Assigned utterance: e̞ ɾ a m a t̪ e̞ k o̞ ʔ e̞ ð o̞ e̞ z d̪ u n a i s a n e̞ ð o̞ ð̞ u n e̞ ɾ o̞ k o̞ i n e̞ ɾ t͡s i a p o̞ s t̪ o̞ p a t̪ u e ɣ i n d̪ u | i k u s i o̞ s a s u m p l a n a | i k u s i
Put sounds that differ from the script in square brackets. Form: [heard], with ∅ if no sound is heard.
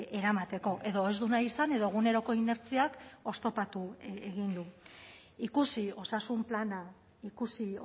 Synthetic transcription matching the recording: e̞ ɾ a m a t̪ e̞ k o̞ ʔ e̞ ð o̞ e̞ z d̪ u n a i s a n e̞ ð o̞ [ɣ̞] u n e̞ ɾ o̞ k o̞ i n e̞ ɾ t͡s i a [k] o̞ s t̪ o̞ p a t̪ u e ɣ i n d̪ u | i k u s i o̞ s a s u m p l a n a | i k u s i